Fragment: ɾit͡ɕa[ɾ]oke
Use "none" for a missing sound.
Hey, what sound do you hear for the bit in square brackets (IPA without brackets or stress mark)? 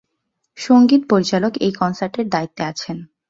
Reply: l